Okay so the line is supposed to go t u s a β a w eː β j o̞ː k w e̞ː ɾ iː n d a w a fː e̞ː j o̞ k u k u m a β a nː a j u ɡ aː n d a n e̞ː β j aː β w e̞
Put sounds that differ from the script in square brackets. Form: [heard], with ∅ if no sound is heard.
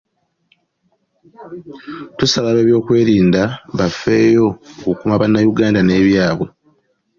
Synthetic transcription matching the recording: t u s a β a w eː β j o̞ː k w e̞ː ɾ iː n d a [β] a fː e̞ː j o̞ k u k u m a β a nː a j u ɡ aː n d a n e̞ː β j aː β w e̞

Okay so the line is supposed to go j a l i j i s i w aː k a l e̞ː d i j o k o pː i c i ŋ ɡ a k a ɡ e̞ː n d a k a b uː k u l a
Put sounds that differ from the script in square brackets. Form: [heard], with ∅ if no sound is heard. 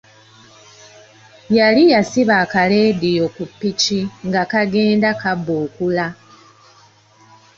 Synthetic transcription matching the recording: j a l i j [a] s i [β] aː k a l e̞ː d i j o k [u] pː i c i ŋ ɡ a k a ɡ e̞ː n d a k a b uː k u l a

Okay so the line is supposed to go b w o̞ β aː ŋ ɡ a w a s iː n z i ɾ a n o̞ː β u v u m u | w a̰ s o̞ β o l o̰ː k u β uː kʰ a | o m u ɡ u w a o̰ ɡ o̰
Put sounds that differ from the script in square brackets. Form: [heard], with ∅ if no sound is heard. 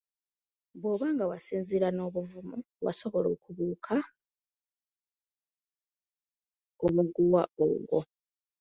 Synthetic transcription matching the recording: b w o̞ β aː ŋ ɡ a w a s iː n z i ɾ a n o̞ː β u v u m u | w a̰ s o̞ β o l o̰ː k u β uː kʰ a | o m u ɡ u w a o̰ ɡ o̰

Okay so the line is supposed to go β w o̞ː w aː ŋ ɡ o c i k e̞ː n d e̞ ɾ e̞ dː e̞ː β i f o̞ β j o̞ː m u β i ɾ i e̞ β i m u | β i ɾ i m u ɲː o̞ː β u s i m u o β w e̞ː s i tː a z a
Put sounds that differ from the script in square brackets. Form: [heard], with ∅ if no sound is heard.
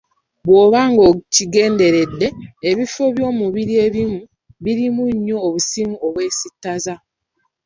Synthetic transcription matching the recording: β w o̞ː [β] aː ŋ ɡ o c i [ɡ] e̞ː n d e̞ ɾ e̞ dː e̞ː β i f o̞ β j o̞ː m u β i ɾ i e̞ β i m u | β i ɾ i m u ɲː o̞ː β u s i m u o β w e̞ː s i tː a z a

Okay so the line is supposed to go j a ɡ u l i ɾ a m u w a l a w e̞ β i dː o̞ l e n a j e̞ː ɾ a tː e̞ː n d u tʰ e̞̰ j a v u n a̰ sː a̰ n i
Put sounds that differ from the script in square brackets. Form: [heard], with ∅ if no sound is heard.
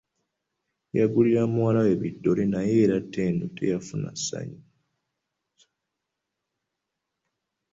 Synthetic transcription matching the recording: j a ɡ u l i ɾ a m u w a l a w e̞ β i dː o̞ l e n a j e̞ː ɾ a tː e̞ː n d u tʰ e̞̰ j a [f] u n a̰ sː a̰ [ɲ] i

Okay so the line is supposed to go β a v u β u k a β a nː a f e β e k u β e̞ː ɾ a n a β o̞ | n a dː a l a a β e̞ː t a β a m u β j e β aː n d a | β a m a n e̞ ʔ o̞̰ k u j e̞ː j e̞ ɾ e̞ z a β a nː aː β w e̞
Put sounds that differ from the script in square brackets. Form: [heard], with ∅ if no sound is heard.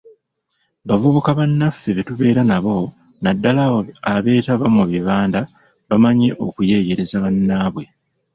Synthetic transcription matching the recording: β a v u β u k a β a nː a f e β e [t] u β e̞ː ɾ a n a β o̞ | n a dː a l a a β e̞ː t a β a m u β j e β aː n d a | β a m a [ɲ] e̞ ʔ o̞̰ k u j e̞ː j e̞ ɾ e̞ z a β a nː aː β w e̞

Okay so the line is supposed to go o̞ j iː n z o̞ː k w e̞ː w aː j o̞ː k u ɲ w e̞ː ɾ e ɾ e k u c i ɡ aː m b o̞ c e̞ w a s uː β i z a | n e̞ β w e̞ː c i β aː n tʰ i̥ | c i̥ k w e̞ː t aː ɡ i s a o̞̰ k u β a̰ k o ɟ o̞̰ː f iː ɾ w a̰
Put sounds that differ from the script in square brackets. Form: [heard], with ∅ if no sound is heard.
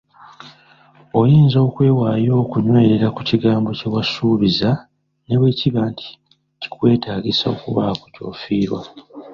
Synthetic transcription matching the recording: o̞ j iː n z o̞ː k w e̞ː w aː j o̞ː k u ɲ w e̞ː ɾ e ɾ [a] k u c i ɡ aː m b o̞ c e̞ w a s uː β i z a | n e̞ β w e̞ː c i β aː n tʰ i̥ | c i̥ k w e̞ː t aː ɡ i s a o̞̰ k u β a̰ k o [c] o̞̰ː f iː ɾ w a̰

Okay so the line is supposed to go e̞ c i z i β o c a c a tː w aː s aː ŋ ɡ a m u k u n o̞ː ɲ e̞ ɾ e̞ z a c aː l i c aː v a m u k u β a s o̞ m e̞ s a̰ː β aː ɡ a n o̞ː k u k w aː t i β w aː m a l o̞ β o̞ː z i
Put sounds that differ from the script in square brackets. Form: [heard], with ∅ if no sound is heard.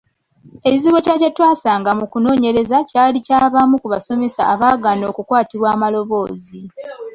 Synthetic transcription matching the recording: e̞ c i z i β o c a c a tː w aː s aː ŋ ɡ a m u k u n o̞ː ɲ e̞ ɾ e̞ z a c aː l i c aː [β] a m u k u β a s o̞ m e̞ s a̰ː β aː ɡ a n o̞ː k u k w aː t i β w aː m a l o̞ β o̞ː z i

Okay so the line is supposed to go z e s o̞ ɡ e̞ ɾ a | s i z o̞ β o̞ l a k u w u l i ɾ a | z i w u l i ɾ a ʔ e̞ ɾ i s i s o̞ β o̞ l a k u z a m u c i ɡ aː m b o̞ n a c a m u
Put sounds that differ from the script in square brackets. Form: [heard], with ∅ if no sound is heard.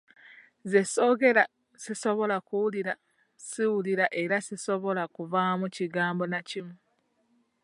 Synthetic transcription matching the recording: z e s o̞ ɡ e̞ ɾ a | s i [s] o̞ β o̞ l a k u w u l i ɾ a | [s] i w u l i ɾ a ʔ e̞ ɾ [a] s i s o̞ β o̞ l a k u [v] a m u c i ɡ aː m b o̞ n a c [i] m u

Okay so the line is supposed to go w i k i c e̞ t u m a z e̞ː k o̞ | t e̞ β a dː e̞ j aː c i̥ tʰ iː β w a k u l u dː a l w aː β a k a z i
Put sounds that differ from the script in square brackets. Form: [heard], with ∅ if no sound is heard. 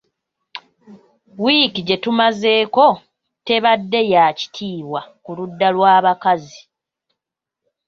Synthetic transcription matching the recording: w i k i [ɟ] e̞ t u m a z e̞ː k o̞ | t e̞ β a dː e̞ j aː c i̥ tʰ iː β w a k u l u dː a l w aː β a k a z i

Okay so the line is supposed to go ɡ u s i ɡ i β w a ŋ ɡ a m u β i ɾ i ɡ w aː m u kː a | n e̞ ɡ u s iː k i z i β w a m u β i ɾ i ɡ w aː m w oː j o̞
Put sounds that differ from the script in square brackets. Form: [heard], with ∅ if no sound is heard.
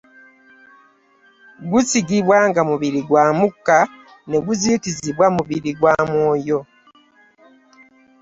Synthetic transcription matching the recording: ɡ u s i ɡ i β w a ŋ ɡ a m u β i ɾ i ɡ w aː m u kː a | n e̞ ɡ u [z] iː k i z i β w a m u β i ɾ i ɡ w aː m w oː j o̞

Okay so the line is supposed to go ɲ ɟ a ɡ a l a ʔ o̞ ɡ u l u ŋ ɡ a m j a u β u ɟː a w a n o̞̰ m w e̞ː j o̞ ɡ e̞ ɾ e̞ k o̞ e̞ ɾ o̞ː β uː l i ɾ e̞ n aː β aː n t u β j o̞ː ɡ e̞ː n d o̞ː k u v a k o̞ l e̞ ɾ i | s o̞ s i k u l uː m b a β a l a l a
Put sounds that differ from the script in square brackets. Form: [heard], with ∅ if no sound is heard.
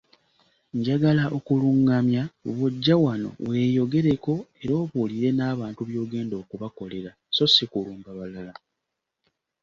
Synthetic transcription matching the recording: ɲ ɟ a ɡ a l a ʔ o̞ [k] u l u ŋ ɡ a m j a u β u ɟː a w a n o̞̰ [∅] w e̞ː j o̞ ɡ e̞ ɾ e̞ k o̞ e̞ ɾ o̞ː β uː l i ɾ e̞ n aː β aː n t u β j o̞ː ɡ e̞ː n d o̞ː k u [β] a k o̞ l e̞ ɾ [a] | s o̞ s i k u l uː m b a β a l a l a

